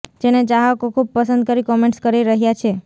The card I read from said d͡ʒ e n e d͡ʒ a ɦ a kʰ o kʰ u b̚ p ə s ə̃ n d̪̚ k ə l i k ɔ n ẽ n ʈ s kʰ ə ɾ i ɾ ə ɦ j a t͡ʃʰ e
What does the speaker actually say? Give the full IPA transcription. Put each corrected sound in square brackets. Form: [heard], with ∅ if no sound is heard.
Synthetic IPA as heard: d͡ʒ e n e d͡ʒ a ɦ a [k] o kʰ u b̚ p ə s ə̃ n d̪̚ k ə [ɾ] i k ɔ [m] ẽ [ɳ] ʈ s [k] ə ɾ i ɾ ə ɦ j a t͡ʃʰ e

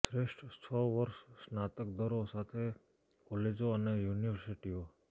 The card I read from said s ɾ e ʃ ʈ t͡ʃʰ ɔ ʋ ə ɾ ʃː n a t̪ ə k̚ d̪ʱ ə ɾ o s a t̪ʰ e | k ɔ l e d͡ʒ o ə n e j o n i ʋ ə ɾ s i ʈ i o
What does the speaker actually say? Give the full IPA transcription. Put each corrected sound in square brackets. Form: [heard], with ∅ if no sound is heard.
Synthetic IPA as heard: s ɾ e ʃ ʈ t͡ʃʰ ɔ ʋ ə ɾ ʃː n a t̪ ə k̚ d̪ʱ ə ɾ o s a t̪ʰ e | k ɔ l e d͡ʒ o ə n e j [u] n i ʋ ə ɾ s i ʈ i o

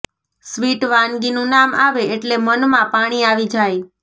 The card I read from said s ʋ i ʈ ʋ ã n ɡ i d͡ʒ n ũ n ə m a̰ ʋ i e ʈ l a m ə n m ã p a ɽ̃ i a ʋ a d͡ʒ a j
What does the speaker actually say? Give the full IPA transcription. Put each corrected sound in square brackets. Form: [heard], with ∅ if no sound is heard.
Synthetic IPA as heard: s ʋ i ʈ ʋ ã n ɡ i [∅] n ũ n [a] m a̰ ʋ [e] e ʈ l [e] m ə n m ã p a ɽ̃ i a ʋ [i] d͡ʒ a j

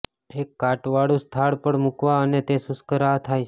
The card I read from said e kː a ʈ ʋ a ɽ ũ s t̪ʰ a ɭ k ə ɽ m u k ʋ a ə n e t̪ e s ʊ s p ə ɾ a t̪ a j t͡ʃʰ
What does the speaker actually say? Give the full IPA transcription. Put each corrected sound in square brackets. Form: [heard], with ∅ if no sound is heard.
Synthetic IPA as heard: e kː a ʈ ʋ a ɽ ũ s t̪ʰ a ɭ [p] ə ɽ m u k ʋ a ə n e t̪ e s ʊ s [k] ə ɾ a [t̪ʰ] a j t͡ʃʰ

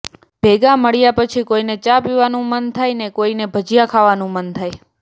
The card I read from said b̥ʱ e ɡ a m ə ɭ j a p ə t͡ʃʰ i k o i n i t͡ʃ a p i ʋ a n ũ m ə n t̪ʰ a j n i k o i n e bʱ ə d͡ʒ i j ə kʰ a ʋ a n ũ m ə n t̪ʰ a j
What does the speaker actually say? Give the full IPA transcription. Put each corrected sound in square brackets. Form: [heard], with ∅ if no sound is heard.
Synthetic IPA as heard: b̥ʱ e ɡ a m ə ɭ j a p ə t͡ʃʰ i k o i n [e] t͡ʃ a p i ʋ a n ũ m ə n t̪ʰ a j n [e] k o i n e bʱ ə d͡ʒ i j [a] kʰ a ʋ a n ũ m ə n t̪ʰ a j

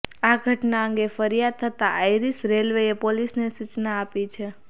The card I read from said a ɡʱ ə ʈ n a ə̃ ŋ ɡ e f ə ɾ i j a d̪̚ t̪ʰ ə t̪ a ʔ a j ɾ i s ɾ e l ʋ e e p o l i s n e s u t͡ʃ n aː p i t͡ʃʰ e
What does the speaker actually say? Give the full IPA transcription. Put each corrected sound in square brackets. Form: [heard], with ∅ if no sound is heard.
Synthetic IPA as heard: a ɡʱ ə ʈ n a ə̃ ŋ ɡ e f ə ɾ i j a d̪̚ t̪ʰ ə t̪ a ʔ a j ɾ i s ɾ e l ʋ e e p o l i s n e s u t͡ʃ n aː p i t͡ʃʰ e

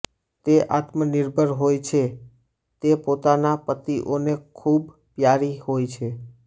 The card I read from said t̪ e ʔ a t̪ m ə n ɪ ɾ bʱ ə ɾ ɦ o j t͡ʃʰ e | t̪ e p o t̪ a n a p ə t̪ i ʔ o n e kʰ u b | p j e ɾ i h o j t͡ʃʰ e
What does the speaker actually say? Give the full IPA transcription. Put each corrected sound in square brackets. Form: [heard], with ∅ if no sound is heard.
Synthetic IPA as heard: t̪ e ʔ a t̪ m ə n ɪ ɾ bʱ ə ɾ ɦ o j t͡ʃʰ e | t̪ e p o t̪ a n a p ə t̪ i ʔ o n e kʰ u b | p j [a] ɾ i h o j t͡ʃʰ e

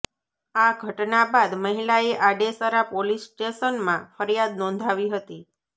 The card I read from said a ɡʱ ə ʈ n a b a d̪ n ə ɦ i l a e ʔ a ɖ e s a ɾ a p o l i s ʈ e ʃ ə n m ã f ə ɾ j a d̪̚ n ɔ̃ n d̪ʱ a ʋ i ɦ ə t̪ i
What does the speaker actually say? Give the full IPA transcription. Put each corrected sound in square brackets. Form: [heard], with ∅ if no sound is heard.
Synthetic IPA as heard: a ɡʱ ə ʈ n a b a d̪ [m] ə ɦ i l a e ʔ a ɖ e s a ɾ a p o l i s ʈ e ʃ ə n m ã f ə ɾ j a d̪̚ n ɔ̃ n d̪ʱ a ʋ i ɦ ə t̪ i

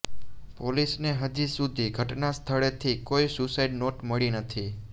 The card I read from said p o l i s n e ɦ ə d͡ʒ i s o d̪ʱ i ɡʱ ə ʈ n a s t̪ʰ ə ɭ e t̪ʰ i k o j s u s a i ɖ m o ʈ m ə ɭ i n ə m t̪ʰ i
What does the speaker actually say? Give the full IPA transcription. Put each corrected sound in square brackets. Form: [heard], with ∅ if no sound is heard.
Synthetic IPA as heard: p o l i s n e ɦ ə d͡ʒ i s [u] d̪ʱ i ɡʱ ə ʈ n a s t̪ʰ ə ɭ e t̪ʰ i k o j s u s a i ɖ [n] o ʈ m ə ɭ i n ə [∅] t̪ʰ i

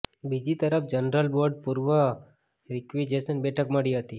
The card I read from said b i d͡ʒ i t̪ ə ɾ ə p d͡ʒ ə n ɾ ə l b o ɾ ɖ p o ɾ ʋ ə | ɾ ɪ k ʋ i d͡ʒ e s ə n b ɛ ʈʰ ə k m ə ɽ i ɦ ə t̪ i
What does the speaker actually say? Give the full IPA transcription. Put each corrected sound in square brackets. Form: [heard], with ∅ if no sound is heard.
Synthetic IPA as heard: b i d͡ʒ i t̪ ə ɾ ə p d͡ʒ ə n ɾ ə l b o ɾ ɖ p [u] ɾ ʋ ə | ɾ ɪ k ʋ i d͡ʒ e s ə n b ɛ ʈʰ ə k m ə ɽ i ɦ ə t̪ i

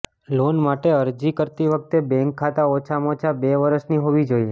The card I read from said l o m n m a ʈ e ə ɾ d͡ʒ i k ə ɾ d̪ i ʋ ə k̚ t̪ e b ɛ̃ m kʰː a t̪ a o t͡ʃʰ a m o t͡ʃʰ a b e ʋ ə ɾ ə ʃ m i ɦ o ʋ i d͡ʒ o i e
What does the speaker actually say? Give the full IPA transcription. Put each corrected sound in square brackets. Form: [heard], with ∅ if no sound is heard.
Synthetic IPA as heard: l o [∅] n m a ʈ e ə ɾ d͡ʒ i k ə ɾ [t̪] i ʋ ə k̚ t̪ e b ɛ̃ [ŋ] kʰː a t̪ a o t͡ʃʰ a m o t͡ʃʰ a b e ʋ ə ɾ ə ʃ [n] i ɦ o ʋ i d͡ʒ o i e

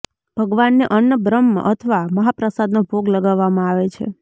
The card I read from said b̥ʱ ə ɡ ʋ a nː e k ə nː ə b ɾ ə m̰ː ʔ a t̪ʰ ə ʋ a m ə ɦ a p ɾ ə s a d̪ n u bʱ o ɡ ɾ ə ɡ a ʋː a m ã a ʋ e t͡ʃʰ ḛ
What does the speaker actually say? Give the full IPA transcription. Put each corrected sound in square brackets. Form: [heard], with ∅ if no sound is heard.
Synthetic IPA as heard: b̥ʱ ə ɡ ʋ a nː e [ʔ] ə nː ə b ɾ ə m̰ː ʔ [ə] t̪ʰ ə ʋ a m ə ɦ a p ɾ ə s a d̪ n [o] bʱ o ɡ [l] ə ɡ a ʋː a m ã a ʋ e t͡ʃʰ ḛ

